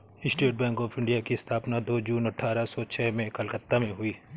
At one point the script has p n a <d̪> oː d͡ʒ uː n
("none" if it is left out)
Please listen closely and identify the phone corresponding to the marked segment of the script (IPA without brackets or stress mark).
d̪